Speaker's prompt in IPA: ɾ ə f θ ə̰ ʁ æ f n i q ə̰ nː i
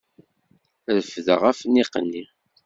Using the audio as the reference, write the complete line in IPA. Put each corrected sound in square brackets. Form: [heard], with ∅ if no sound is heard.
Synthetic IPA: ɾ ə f [ð] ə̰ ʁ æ f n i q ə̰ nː i